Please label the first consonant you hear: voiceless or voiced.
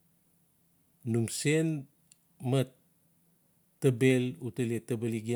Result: voiced